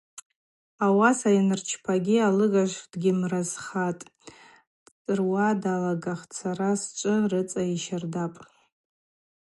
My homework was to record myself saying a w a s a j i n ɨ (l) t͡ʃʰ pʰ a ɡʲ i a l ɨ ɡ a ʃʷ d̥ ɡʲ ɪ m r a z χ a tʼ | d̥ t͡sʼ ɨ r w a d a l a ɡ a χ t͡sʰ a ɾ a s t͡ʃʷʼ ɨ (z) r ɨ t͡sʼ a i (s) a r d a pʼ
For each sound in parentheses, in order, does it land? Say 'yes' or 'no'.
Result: no, no, no

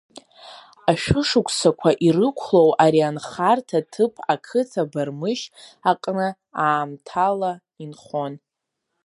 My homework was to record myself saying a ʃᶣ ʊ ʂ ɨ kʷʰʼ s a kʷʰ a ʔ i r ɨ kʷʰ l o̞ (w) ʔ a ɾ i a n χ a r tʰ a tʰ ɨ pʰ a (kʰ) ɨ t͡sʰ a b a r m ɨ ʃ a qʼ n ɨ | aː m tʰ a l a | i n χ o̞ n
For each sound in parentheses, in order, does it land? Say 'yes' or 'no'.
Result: yes, yes

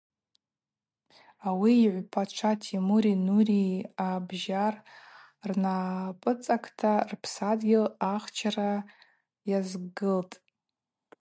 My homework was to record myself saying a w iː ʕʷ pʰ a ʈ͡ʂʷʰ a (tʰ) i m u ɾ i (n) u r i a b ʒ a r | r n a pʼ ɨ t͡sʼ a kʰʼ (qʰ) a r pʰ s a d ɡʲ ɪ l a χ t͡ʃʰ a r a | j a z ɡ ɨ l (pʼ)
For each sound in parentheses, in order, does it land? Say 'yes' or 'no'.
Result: yes, yes, no, no

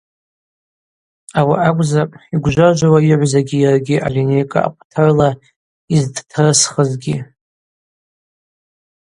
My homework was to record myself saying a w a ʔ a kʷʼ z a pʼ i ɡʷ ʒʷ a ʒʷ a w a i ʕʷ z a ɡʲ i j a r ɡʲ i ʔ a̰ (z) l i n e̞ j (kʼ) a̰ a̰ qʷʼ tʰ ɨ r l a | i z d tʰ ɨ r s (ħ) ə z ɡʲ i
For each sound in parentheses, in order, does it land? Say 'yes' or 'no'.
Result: no, yes, no

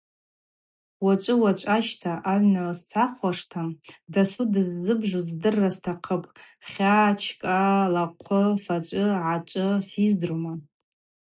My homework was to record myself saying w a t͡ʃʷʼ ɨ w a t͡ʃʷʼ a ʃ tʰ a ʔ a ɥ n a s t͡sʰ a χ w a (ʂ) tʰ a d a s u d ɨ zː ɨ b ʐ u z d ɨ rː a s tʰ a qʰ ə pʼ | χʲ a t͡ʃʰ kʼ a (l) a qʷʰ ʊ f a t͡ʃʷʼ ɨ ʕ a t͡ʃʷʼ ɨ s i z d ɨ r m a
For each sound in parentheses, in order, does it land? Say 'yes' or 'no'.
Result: yes, yes

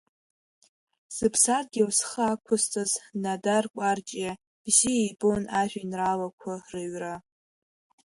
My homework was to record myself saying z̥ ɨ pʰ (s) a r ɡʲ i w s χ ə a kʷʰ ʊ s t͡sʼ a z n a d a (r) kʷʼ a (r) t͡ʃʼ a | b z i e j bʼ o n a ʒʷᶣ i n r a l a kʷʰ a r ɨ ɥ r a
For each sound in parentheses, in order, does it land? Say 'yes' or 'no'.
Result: yes, yes, yes

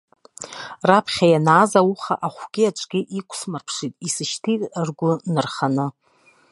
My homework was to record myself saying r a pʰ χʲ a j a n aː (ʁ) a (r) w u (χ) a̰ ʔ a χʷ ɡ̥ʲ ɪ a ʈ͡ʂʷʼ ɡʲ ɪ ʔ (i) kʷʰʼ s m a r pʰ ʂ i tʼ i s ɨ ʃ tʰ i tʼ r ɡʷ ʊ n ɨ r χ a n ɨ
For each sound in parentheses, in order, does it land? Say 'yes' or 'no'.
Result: no, no, yes, yes

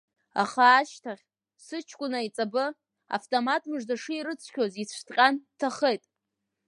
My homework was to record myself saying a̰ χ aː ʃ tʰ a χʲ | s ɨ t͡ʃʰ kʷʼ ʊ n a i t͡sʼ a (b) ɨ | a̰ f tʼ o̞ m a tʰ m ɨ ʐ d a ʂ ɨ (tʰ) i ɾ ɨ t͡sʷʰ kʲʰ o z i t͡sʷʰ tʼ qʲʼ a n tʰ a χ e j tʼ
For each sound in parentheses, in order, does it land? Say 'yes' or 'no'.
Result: yes, no

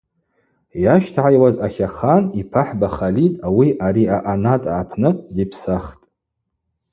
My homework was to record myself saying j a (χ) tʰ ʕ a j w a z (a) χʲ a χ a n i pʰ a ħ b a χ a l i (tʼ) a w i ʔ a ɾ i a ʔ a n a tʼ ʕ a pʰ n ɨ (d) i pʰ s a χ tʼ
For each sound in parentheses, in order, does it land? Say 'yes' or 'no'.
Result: no, yes, yes, yes

